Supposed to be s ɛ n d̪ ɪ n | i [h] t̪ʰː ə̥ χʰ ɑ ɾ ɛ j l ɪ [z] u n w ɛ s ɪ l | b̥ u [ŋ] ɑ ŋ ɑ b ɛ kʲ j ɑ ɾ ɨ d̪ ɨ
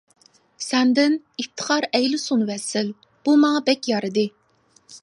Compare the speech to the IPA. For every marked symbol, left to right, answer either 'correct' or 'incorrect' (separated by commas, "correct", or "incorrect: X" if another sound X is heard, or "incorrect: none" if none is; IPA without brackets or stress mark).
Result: incorrect: f, incorrect: s, incorrect: m